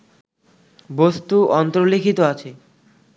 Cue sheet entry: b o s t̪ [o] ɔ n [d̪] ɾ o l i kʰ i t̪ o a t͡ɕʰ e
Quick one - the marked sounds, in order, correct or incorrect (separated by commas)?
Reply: incorrect, incorrect